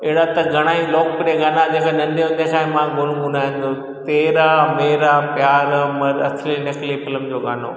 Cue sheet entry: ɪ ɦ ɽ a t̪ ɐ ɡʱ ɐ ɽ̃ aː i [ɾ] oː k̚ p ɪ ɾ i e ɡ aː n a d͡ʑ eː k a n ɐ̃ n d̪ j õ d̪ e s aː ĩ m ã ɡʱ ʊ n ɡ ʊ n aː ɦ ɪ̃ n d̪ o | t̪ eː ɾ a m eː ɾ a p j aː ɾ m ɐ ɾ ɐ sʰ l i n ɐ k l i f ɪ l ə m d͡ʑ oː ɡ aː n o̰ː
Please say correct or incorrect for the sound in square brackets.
incorrect